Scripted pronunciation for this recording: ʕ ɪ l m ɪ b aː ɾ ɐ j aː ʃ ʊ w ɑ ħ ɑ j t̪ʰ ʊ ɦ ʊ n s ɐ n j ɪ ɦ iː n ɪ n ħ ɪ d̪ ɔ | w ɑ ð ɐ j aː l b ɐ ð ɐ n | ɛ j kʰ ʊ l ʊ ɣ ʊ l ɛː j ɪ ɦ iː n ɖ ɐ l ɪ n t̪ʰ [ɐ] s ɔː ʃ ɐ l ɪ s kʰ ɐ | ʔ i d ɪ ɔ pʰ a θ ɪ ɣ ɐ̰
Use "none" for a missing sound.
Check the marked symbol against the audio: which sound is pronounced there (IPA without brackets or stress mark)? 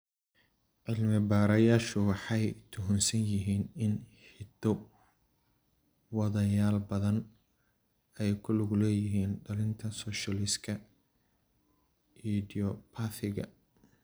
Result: ɐ